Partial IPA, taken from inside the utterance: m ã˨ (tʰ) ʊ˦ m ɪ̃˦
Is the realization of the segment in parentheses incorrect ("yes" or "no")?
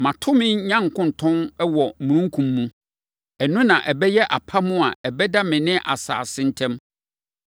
no